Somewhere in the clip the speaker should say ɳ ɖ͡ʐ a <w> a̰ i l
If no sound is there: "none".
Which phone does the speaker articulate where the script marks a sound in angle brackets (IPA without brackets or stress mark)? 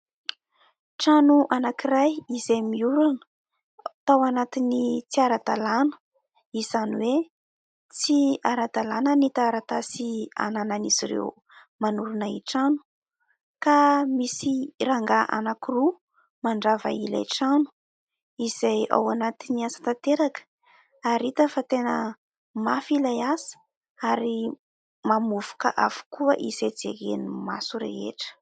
v